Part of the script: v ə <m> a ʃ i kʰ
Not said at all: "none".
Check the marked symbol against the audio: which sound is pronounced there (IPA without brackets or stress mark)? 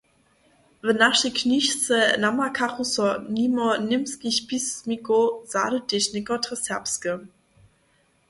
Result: n